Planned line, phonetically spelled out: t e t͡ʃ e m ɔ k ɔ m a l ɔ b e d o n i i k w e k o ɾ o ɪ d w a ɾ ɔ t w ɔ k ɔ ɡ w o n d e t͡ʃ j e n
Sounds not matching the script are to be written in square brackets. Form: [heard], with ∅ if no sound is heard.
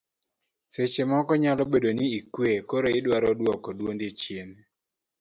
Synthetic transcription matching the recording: [s] e t͡ʃ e m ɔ k ɔ [ɲ] a l ɔ b e d o n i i k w e k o ɾ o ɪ d w a ɾ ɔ [d] w ɔ k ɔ [d] w o n d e t͡ʃ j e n